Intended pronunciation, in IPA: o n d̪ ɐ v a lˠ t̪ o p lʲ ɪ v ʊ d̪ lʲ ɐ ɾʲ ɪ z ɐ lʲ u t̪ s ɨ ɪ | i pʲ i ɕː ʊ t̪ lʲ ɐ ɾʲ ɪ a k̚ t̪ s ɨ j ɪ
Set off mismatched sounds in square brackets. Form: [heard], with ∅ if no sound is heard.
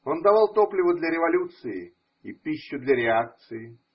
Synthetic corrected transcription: o n d̪ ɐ v a lˠ t̪ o p lʲ ɪ v ʊ d̪ lʲ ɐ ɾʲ ɪ [v] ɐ lʲ u t̪ s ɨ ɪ | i pʲ i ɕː ʊ [d̪] lʲ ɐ ɾʲ ɪ a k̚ t̪ s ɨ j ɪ